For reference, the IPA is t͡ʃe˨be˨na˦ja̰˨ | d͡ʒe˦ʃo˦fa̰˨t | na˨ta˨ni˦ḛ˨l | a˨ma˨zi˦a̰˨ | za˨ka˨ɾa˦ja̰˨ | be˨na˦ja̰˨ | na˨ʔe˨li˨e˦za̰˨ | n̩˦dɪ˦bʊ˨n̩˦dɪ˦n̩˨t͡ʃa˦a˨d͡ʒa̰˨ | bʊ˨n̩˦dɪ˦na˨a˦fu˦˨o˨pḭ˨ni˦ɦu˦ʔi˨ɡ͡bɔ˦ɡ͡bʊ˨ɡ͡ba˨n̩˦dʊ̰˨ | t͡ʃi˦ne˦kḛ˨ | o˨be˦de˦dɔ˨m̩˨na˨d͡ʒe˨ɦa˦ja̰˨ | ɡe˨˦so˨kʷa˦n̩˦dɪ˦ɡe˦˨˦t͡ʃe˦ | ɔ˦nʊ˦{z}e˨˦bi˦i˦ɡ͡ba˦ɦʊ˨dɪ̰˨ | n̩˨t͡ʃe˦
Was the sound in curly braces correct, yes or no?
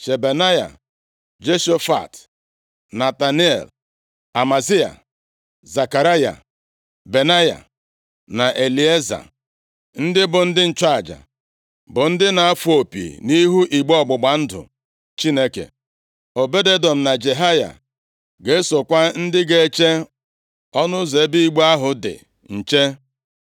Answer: yes